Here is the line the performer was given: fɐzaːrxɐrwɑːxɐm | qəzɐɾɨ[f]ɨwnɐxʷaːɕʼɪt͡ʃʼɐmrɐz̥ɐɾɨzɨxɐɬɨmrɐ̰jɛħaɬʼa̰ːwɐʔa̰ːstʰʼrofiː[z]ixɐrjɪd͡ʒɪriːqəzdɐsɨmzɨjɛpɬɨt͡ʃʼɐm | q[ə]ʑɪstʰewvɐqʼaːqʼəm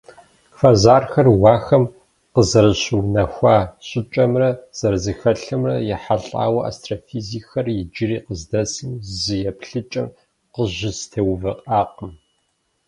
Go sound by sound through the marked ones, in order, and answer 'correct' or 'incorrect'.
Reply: incorrect: ɕ, correct, correct

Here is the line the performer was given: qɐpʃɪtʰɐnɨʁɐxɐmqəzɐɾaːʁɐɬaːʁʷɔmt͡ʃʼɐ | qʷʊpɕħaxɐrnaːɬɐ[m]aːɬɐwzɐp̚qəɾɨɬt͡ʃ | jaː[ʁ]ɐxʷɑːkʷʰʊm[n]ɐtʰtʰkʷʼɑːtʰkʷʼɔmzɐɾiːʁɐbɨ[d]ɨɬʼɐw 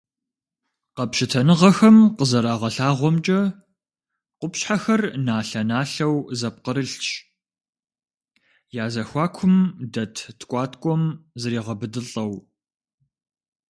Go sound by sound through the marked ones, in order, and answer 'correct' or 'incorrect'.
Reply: incorrect: n, incorrect: z, incorrect: d, correct

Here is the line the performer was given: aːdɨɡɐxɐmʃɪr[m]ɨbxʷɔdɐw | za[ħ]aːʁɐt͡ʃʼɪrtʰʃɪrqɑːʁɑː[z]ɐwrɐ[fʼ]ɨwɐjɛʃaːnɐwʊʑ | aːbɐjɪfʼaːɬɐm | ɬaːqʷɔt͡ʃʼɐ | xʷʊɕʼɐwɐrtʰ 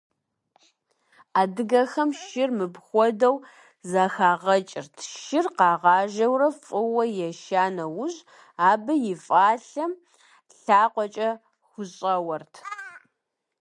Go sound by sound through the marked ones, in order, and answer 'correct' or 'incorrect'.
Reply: correct, incorrect: x, incorrect: ʒ, correct

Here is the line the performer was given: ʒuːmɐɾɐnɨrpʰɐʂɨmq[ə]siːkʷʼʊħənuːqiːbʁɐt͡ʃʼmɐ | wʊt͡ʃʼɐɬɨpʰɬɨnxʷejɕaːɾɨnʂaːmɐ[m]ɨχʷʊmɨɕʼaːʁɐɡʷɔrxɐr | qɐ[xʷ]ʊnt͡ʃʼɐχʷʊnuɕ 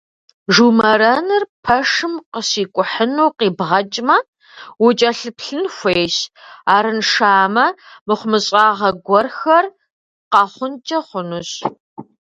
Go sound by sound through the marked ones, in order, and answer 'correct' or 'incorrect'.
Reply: correct, correct, incorrect: χʷ

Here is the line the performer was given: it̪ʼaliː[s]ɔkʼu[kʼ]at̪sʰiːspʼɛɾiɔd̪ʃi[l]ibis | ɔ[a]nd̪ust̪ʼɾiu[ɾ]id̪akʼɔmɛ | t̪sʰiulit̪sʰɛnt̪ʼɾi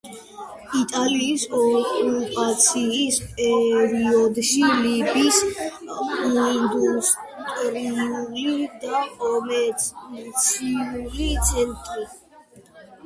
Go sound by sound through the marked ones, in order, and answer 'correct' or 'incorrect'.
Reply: correct, incorrect: pʼ, correct, incorrect: i, incorrect: l

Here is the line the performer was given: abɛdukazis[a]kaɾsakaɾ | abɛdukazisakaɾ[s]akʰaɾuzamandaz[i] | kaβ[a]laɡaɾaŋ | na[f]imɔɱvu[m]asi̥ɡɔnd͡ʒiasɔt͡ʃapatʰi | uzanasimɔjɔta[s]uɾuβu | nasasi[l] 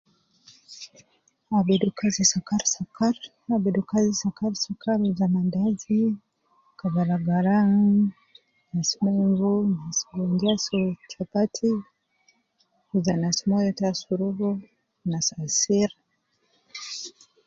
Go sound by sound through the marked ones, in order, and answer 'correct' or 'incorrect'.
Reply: correct, correct, correct, correct, incorrect: s, incorrect: n, correct, incorrect: ɾ

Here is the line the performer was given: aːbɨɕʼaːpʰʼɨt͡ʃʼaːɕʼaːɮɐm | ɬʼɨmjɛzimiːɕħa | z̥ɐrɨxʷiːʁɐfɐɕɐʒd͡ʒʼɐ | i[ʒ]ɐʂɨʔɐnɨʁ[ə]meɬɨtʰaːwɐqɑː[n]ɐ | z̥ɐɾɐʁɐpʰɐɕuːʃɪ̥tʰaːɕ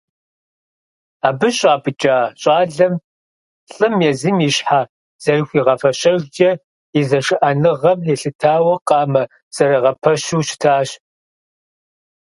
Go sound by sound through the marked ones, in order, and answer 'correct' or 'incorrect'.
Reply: incorrect: z, incorrect: ɐ, incorrect: m

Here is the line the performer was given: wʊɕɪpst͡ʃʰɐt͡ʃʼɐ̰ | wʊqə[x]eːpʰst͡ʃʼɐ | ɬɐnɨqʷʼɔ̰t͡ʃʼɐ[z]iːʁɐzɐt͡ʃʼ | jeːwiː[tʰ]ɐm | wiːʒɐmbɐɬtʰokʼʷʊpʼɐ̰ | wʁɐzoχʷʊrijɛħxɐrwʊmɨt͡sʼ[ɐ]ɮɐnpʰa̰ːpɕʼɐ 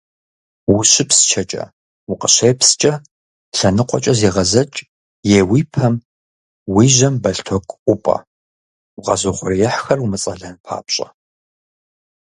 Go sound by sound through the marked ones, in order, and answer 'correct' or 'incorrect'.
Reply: incorrect: ɕ, correct, incorrect: pʰ, correct

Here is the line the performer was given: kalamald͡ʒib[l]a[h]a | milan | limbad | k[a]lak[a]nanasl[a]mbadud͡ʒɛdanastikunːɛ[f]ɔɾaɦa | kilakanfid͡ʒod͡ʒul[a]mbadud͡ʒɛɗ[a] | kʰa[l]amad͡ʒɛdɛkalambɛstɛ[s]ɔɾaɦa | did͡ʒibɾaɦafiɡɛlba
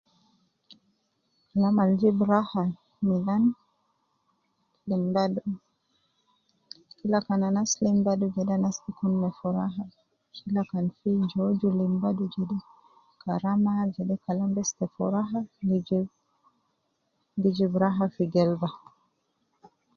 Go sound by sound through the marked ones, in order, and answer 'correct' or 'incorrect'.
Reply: incorrect: ɾ, correct, incorrect: i, correct, incorrect: i, correct, incorrect: i, incorrect: ɛ, incorrect: ɾ, incorrect: f

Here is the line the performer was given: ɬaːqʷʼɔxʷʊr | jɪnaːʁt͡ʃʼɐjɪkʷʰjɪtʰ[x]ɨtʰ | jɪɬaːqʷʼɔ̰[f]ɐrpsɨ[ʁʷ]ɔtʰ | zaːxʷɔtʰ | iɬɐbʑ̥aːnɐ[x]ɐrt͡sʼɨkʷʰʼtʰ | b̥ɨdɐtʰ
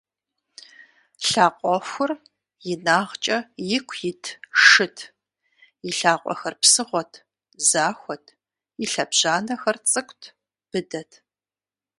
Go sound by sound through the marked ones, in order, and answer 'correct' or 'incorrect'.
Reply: incorrect: ʂ, incorrect: x, correct, correct

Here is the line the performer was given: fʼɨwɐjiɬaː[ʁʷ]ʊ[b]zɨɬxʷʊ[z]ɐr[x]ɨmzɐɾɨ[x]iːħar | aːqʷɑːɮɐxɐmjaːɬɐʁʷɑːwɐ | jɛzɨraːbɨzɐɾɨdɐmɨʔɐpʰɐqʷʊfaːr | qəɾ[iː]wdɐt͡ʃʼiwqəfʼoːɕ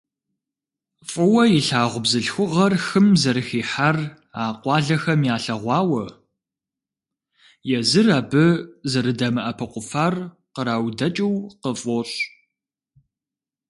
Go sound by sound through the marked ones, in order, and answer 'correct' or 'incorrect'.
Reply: correct, correct, incorrect: ʁ, correct, correct, incorrect: aː

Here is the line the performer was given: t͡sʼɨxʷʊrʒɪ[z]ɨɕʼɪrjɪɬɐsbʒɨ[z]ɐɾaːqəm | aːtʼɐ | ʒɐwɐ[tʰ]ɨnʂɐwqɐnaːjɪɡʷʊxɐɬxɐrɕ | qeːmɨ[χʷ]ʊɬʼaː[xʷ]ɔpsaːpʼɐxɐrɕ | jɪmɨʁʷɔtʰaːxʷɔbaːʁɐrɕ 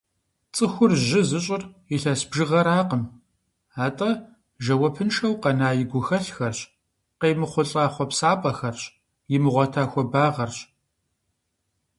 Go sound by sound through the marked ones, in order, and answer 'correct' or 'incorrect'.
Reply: correct, incorrect: ʁ, incorrect: pʰ, correct, incorrect: χʷ

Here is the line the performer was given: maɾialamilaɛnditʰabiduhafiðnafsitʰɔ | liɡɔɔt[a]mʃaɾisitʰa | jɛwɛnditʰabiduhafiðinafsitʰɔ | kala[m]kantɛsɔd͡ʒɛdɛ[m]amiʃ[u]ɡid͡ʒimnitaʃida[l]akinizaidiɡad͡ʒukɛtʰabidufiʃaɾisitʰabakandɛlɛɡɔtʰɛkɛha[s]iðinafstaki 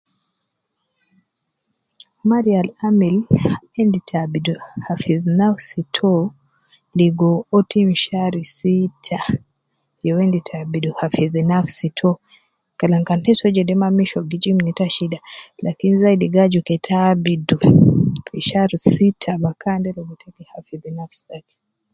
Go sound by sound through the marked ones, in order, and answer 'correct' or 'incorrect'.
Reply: incorrect: i, incorrect: ŋ, correct, incorrect: ɔ, correct, incorrect: f

